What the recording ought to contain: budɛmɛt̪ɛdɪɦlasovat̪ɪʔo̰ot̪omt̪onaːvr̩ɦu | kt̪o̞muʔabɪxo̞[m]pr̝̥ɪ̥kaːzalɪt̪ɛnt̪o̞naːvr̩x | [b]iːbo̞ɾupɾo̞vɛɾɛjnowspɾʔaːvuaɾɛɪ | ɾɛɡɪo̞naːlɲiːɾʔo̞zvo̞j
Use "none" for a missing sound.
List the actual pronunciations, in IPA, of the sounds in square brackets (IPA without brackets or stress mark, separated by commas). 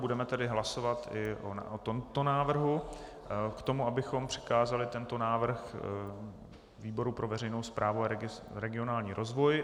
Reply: m, v